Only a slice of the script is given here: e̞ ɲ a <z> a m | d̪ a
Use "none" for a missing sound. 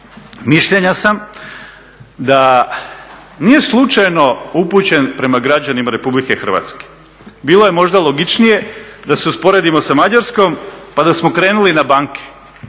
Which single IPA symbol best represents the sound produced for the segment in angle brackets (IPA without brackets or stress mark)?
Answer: s